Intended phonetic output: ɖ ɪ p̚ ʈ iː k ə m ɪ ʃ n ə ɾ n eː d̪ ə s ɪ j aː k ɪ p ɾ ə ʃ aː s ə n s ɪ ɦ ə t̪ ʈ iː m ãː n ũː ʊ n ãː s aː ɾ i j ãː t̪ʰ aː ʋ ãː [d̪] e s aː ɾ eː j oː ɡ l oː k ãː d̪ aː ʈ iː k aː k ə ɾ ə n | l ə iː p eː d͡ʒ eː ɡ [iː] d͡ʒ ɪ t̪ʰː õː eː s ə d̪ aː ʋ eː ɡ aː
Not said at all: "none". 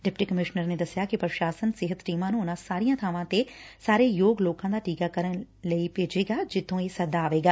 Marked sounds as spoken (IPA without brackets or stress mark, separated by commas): t̪, aː